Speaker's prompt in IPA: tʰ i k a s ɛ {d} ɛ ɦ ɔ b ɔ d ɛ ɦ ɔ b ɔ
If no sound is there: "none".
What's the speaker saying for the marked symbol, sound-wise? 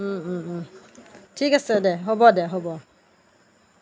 d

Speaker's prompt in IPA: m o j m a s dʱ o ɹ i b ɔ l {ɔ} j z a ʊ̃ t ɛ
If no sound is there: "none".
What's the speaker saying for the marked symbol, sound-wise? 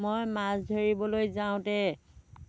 o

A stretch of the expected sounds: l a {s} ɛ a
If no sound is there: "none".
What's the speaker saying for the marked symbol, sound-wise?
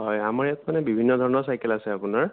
s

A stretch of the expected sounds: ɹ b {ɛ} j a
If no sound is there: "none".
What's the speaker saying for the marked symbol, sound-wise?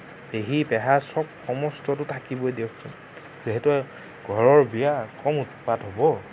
i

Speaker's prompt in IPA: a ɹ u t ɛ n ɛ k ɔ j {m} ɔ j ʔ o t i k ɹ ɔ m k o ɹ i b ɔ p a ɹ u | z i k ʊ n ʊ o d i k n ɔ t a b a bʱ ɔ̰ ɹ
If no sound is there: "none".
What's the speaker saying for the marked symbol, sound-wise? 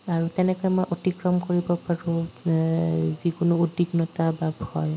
m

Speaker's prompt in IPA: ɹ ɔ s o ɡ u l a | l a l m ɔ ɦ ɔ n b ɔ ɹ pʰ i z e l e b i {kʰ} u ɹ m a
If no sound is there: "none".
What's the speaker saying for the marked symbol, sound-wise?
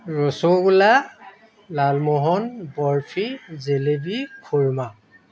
kʰ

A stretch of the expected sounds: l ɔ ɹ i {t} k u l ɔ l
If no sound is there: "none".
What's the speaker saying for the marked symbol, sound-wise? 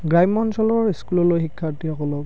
s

